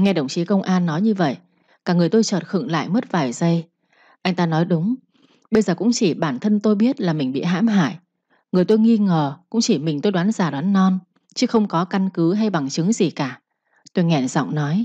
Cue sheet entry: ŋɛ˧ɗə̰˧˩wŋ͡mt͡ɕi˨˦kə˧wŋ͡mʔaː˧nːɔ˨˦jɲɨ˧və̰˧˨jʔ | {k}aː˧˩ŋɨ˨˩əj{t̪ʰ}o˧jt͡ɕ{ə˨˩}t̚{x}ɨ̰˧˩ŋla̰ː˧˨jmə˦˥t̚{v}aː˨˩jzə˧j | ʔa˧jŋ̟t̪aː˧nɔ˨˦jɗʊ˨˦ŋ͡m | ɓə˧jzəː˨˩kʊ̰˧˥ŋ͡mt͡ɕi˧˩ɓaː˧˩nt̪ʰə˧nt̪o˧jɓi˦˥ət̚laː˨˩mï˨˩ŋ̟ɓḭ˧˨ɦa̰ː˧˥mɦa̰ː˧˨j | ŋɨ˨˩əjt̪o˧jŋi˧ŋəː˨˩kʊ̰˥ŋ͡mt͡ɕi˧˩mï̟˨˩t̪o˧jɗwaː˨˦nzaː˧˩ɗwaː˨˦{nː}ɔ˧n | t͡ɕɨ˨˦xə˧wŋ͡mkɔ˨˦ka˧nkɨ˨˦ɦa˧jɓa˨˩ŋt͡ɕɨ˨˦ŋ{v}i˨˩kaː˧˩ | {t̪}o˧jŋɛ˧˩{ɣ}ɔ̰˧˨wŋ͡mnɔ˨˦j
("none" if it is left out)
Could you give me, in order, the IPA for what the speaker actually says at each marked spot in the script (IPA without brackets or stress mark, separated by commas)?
k, t̪, əː˨˩, x, v, nː, z, t̪, z